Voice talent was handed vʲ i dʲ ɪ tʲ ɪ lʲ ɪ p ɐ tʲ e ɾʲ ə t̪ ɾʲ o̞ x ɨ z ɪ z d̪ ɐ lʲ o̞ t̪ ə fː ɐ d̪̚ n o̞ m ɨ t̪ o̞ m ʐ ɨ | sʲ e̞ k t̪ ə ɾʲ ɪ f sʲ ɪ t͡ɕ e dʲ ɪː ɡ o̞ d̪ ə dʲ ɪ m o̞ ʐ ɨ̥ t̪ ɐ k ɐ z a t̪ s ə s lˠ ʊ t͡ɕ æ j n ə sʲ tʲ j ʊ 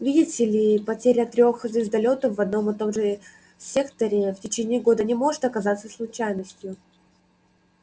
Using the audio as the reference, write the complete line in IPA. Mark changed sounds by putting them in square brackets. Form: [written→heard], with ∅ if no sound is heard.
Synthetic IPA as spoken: vʲ i dʲ ɪ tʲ ɪ lʲ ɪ p ɐ tʲ e ɾʲ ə t̪ ɾʲ o̞ x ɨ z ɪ z d̪ ɐ lʲ o̞ t̪ ə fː ɐ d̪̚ n o̞ m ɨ t̪ o̞ m ʐ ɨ | sʲ e̞ k t̪ ə ɾʲ ɪ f [sʲ→tʲ] ɪ t͡ɕ e [dʲ→nʲ] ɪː ɡ o̞ d̪ ə [dʲ→nʲ] ɪ m o̞ ʐ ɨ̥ t̪ ɐ k ɐ z a t̪ s ə s lˠ ʊ t͡ɕ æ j n ə sʲ tʲ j ʊ